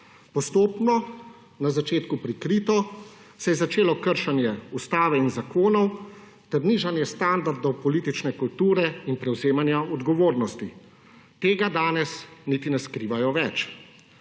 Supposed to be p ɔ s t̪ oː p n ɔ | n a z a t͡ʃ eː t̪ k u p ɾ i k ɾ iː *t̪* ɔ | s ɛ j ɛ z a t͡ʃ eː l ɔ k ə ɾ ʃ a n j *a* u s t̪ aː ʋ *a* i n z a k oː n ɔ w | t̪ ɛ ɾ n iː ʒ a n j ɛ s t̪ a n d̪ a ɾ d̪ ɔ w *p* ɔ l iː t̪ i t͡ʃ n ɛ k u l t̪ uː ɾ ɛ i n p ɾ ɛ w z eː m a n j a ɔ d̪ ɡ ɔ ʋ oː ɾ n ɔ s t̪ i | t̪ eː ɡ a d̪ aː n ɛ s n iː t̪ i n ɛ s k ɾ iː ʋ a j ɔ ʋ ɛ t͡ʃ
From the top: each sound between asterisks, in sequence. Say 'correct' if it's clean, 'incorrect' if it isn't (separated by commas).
correct, incorrect, incorrect, correct